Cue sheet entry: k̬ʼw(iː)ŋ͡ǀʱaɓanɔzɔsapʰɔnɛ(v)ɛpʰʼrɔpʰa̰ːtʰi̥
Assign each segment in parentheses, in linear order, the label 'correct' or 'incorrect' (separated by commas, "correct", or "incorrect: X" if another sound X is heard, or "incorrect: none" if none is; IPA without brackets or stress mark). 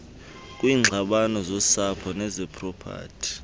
correct, incorrect: z